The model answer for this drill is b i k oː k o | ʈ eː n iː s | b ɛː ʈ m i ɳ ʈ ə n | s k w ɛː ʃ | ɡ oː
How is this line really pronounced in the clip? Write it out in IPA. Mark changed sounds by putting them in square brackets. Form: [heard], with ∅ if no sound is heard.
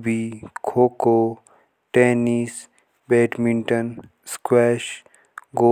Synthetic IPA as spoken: b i [kʰ] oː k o | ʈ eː n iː s | b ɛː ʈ m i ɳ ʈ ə n | s k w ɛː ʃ | ɡ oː